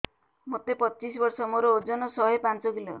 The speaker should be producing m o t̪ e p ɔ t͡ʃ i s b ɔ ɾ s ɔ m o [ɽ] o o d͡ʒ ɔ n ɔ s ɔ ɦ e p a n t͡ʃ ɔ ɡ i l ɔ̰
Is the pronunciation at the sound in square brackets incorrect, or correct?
incorrect